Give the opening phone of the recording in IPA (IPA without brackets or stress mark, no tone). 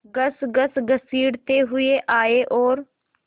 ɡ